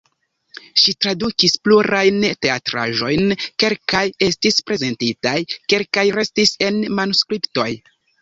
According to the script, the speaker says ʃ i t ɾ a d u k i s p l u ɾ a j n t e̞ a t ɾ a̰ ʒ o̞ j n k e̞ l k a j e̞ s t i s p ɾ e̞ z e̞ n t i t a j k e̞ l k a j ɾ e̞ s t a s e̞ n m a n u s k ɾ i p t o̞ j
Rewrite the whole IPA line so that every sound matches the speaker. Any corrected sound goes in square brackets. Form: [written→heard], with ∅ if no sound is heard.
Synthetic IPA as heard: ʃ i t ɾ a d u k i s p l u ɾ a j n t e̞ a t ɾ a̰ ʒ o̞ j n k e̞ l k a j e̞ s t i s p ɾ e̞ z e̞ n t i t a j k e̞ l k a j ɾ e̞ s t [a→i] s e̞ n m a n u s k ɾ i p t o̞ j